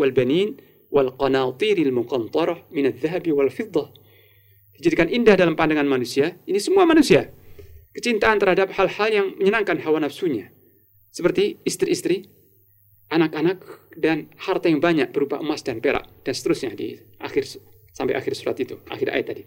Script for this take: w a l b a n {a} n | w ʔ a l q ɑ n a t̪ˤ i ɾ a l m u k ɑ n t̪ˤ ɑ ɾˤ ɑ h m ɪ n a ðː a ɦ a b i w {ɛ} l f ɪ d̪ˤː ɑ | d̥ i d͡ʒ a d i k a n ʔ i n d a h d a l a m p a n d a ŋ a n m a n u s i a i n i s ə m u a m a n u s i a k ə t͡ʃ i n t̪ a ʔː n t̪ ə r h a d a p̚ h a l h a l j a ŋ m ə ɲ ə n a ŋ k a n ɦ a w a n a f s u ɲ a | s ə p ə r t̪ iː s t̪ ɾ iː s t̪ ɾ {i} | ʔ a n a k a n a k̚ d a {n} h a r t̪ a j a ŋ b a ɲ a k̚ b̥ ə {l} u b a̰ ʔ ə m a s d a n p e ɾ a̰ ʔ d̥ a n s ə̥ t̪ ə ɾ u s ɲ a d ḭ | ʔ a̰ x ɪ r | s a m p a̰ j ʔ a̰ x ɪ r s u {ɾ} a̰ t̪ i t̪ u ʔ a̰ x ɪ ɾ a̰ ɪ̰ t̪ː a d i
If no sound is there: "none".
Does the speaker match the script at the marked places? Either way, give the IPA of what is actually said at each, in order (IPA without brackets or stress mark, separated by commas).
i, a, i, n, ɾ, ɾ